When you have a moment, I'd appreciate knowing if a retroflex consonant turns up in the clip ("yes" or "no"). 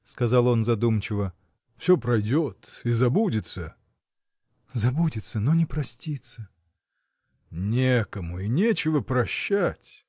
no